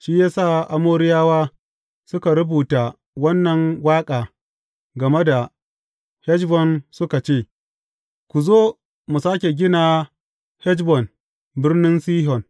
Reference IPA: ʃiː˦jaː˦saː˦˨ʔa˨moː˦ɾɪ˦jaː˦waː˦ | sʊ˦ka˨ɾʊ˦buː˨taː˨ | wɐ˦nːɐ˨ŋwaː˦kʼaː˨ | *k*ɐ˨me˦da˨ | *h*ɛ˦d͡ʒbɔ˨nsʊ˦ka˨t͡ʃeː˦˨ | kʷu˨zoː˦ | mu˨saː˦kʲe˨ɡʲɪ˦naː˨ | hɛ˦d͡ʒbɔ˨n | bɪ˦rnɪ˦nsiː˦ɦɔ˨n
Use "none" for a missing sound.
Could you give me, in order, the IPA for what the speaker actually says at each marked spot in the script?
ɡ, h

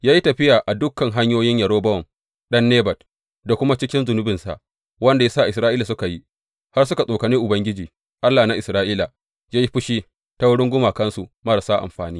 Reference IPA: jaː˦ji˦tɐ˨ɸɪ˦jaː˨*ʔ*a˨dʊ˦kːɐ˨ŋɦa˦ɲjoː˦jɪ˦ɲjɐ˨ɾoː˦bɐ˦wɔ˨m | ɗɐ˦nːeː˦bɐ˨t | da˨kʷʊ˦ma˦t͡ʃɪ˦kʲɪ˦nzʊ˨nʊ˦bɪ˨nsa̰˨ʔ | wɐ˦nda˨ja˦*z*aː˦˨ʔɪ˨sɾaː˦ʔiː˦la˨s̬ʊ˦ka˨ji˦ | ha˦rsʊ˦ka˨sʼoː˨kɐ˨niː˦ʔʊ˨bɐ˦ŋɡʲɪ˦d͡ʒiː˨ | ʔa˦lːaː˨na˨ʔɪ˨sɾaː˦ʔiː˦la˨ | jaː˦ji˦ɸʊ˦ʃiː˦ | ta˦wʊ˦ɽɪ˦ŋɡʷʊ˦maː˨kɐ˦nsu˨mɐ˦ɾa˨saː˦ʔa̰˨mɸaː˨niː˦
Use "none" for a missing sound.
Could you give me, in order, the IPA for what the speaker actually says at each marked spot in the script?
ʔ, s

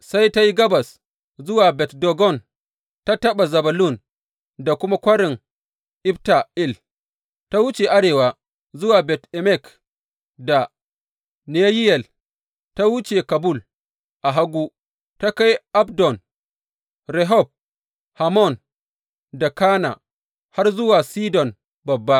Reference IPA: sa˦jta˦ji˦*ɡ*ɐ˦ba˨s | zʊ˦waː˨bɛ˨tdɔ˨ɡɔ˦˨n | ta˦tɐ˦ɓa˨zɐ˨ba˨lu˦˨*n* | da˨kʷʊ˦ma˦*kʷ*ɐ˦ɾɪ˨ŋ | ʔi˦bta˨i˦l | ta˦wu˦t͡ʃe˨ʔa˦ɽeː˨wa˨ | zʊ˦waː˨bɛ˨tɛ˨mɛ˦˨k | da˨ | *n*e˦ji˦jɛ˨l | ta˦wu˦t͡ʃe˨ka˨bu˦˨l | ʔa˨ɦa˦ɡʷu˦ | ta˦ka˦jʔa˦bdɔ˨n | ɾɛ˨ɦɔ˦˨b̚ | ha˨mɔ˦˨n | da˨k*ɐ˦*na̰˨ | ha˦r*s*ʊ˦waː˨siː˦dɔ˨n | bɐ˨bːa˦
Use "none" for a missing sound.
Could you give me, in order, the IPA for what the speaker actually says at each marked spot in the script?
ɡ, n, kʷ, n, a˦, z

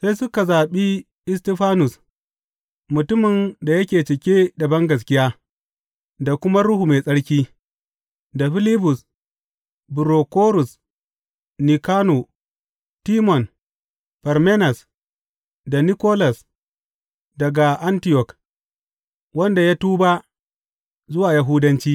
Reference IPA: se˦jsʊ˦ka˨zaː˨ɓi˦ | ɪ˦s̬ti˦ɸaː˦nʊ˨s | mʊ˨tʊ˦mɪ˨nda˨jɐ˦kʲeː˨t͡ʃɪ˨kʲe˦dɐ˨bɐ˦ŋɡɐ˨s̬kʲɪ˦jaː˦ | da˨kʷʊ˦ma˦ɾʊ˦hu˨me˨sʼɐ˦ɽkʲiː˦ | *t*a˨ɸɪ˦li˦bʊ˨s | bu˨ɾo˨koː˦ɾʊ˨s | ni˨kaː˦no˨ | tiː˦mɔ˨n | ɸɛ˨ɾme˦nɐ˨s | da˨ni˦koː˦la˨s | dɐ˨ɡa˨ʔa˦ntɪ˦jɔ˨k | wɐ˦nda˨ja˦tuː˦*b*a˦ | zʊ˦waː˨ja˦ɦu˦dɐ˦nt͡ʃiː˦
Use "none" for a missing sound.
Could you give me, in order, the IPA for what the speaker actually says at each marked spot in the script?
d, b

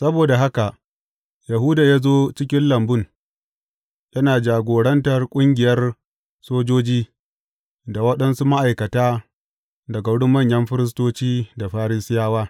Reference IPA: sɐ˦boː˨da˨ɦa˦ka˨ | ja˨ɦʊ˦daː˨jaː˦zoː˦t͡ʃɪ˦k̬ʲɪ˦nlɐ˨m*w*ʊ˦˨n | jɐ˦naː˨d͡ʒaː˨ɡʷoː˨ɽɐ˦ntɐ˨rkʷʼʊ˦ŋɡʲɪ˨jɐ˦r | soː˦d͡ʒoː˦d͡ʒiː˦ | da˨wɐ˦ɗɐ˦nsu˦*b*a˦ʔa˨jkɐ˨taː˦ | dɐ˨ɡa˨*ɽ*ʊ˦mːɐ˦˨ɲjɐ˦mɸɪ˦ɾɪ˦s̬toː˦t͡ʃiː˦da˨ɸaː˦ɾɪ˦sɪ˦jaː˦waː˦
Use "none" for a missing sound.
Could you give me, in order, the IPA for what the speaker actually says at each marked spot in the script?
b, m, ɽ

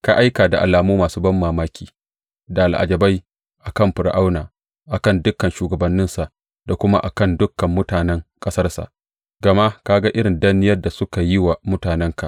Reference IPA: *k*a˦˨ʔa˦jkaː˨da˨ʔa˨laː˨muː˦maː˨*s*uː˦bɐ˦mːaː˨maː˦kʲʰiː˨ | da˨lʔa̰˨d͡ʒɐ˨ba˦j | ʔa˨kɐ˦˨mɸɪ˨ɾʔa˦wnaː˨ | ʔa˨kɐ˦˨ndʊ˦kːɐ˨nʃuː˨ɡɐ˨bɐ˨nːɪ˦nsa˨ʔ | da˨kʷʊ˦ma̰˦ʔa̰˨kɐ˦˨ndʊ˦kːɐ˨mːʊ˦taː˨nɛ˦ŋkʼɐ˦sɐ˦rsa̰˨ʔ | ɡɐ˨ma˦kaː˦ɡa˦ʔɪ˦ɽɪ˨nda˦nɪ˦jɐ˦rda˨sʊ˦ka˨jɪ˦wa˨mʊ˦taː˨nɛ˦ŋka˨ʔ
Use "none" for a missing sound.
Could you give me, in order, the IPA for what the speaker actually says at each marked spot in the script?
k, s

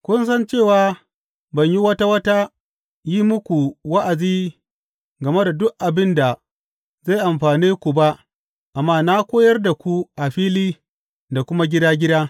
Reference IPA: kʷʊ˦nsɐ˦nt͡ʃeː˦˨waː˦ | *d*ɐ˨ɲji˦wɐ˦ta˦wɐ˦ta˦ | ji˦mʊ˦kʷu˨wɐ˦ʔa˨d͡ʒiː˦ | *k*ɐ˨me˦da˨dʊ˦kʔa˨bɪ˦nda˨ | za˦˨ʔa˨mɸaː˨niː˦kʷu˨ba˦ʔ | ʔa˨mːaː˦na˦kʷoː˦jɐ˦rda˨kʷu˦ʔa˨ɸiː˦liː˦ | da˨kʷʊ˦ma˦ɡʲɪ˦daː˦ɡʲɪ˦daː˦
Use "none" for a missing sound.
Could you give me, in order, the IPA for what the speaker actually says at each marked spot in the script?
b, ɡ

